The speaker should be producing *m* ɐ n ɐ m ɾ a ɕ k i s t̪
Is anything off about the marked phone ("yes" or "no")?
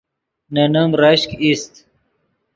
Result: yes